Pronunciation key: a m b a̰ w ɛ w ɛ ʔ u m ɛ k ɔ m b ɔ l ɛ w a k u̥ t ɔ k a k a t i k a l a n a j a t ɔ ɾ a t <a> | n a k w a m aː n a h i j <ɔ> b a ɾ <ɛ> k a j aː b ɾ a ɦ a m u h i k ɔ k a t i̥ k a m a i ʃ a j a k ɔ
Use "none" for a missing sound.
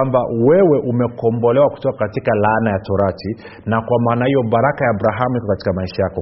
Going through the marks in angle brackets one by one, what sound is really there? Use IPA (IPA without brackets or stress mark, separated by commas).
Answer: i, ɔ, a